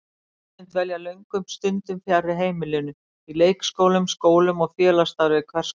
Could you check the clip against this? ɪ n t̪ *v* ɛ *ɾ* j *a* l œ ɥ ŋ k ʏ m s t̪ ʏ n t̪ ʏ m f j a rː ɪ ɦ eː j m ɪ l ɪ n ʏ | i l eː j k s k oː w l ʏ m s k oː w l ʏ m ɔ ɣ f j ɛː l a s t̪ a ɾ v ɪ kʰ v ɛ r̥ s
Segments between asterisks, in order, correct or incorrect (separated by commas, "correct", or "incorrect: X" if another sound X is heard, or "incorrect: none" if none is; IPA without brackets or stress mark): correct, incorrect: l, correct